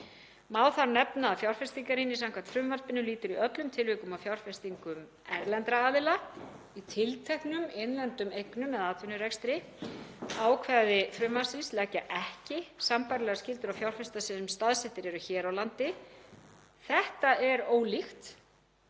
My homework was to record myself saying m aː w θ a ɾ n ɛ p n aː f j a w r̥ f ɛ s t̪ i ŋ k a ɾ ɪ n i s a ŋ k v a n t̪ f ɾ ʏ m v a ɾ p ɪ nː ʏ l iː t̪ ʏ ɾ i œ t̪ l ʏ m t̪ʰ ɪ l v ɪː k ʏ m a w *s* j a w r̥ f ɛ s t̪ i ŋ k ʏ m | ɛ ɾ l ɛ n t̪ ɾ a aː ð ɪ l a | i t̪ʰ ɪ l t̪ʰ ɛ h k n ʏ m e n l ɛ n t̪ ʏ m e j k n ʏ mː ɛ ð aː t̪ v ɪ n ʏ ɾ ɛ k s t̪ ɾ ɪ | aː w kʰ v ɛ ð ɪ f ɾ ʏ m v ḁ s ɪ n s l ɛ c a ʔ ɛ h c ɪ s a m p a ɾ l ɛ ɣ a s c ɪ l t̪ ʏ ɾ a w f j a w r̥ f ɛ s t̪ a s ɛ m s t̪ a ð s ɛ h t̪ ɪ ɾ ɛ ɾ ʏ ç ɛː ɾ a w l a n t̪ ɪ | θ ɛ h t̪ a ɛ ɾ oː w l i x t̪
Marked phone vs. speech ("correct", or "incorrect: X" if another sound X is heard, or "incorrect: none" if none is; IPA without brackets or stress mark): incorrect: f